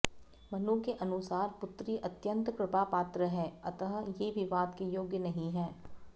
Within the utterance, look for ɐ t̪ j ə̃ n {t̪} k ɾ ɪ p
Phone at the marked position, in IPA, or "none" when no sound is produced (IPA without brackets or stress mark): t̪